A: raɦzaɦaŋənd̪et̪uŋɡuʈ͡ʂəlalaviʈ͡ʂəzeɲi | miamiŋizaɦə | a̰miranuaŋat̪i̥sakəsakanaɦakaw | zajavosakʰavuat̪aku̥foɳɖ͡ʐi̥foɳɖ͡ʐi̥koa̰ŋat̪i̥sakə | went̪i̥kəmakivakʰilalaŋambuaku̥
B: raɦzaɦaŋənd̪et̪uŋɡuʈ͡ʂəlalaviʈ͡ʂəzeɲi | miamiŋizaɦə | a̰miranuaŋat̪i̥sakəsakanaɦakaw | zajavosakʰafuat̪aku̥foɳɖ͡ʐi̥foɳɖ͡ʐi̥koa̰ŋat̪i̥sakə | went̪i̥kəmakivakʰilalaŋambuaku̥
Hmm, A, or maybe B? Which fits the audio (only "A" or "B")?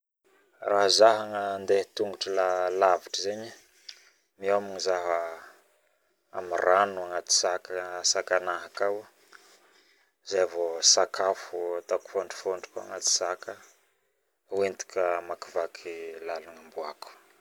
B